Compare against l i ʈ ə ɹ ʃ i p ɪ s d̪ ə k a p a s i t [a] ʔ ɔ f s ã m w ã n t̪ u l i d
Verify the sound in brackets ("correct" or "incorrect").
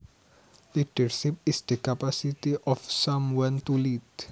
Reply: incorrect